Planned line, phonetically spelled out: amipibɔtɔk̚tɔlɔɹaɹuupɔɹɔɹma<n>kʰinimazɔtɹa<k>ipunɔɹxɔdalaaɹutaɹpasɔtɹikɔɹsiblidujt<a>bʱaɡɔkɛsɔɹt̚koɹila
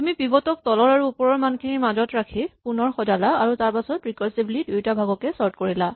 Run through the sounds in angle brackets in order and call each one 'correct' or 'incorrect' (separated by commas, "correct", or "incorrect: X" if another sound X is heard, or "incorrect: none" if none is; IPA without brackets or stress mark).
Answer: correct, incorrect: kʰ, correct